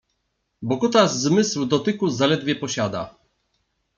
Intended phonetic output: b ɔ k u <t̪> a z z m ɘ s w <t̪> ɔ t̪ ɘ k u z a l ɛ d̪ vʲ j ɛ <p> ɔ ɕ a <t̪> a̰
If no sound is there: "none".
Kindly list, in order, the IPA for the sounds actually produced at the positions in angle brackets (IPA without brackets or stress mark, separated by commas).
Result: t̪, d̪, p, d̪